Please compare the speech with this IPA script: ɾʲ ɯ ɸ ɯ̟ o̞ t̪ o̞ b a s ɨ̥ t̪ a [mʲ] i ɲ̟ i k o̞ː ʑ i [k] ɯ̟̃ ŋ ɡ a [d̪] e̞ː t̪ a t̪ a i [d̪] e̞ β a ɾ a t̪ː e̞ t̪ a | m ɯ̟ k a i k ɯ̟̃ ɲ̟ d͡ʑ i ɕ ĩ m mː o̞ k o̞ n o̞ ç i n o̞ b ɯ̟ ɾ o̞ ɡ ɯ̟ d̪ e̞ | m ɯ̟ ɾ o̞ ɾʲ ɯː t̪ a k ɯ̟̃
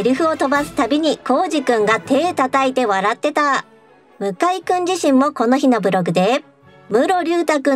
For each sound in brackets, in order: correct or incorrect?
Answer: incorrect, correct, incorrect, incorrect

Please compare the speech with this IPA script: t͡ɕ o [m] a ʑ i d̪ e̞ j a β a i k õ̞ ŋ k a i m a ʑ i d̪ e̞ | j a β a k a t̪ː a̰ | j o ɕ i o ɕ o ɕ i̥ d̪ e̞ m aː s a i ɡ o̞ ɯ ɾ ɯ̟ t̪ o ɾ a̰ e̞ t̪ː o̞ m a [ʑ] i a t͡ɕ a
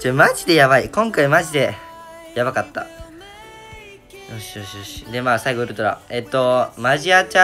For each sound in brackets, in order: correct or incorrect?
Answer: correct, correct

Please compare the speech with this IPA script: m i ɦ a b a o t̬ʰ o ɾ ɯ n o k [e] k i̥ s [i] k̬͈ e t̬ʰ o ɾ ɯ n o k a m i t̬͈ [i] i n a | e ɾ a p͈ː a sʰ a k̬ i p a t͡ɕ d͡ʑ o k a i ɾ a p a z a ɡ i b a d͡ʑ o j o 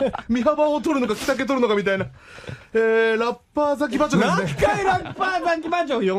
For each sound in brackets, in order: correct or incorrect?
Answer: incorrect, incorrect, incorrect

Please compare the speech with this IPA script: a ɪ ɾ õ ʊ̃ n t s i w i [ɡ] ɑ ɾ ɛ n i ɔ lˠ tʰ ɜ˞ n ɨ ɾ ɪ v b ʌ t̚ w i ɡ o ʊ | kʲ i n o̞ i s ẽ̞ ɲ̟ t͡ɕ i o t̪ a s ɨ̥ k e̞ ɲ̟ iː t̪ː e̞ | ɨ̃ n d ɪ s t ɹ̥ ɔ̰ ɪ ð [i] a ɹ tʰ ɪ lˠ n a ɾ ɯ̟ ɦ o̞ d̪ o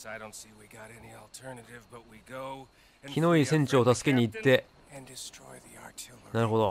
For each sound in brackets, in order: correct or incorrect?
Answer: correct, correct

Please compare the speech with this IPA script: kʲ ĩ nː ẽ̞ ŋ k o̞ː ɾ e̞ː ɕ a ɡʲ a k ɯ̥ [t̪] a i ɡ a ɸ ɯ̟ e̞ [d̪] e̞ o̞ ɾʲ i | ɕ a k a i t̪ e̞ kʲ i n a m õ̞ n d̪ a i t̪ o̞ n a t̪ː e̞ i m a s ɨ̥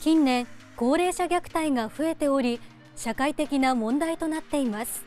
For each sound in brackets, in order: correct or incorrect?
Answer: correct, incorrect

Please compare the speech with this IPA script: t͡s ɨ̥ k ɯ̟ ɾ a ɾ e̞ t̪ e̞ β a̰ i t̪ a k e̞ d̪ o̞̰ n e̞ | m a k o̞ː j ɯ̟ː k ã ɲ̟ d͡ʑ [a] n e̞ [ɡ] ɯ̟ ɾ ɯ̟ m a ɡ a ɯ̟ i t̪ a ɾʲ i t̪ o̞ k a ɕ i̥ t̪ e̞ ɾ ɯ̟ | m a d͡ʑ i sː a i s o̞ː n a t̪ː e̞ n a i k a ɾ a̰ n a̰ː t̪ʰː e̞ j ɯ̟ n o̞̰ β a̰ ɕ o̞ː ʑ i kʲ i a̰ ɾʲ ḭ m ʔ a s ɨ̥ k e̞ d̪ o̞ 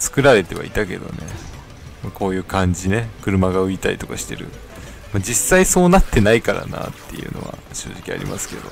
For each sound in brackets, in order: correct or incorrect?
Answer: incorrect, incorrect

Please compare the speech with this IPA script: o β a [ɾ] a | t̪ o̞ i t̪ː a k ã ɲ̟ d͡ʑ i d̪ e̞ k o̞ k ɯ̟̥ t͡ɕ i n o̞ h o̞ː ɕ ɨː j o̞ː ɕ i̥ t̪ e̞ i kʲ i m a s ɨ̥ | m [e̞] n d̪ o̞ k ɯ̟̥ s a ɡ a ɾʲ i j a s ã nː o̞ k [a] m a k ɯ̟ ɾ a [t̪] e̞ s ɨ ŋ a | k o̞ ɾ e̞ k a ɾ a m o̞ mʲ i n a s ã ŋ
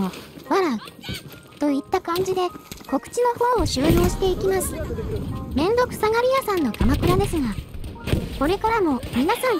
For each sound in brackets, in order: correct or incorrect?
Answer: correct, incorrect, correct, incorrect

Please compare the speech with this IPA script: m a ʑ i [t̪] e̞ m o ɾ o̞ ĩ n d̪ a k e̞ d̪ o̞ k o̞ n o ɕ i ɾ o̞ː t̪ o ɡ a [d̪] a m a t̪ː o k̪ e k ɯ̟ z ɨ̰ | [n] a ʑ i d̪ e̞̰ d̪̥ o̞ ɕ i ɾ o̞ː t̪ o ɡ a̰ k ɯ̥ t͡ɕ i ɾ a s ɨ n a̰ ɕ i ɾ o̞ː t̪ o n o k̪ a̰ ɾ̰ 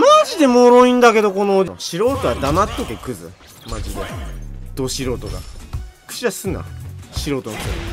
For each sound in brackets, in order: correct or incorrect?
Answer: incorrect, correct, incorrect

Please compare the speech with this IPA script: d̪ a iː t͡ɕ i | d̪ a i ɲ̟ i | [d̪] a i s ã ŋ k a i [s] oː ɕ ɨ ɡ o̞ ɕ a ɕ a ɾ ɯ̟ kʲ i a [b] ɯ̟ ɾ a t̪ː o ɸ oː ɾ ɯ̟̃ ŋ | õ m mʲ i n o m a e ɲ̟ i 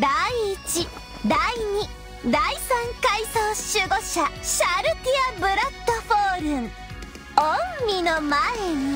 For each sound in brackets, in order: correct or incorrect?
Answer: correct, correct, correct

